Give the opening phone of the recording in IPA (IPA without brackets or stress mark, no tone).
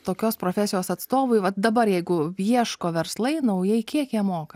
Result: t̪